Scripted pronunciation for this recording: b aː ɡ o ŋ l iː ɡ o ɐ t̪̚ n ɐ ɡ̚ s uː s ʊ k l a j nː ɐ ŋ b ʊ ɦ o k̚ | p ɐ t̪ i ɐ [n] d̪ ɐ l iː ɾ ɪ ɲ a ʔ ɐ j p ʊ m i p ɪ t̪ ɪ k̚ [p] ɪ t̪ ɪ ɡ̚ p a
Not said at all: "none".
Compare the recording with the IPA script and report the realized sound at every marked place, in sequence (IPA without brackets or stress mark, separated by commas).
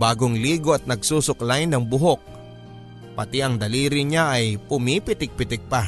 ŋ, p